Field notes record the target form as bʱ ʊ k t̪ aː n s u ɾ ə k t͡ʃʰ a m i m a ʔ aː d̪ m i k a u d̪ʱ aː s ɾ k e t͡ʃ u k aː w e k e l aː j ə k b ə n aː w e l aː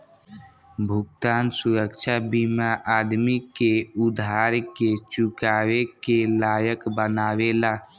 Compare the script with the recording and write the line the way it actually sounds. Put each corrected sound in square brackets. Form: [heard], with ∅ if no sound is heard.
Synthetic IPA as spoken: bʱ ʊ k t̪ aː n s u ɾ ə k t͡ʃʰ a [b] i m a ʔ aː d̪ m i k [e] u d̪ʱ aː [∅] ɾ k e t͡ʃ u k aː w e k e l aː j ə k b ə n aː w e l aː